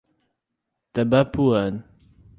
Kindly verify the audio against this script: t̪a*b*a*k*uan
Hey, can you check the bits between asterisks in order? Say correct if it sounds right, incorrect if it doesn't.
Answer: correct, incorrect

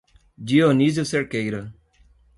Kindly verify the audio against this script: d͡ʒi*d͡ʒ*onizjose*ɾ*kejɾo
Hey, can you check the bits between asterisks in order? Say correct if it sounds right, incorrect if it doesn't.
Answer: incorrect, correct

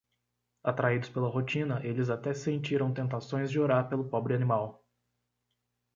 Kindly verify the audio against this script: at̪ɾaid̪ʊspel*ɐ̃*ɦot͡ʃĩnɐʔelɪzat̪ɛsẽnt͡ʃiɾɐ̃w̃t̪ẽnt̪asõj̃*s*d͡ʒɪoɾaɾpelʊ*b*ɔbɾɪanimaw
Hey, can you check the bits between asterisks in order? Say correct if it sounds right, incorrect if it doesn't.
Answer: incorrect, incorrect, incorrect

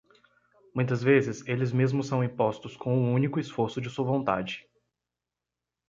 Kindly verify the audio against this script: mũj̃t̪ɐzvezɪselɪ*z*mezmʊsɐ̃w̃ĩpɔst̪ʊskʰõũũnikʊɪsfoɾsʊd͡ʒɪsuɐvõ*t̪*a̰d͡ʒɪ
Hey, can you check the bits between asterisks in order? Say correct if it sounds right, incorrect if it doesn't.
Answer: correct, correct

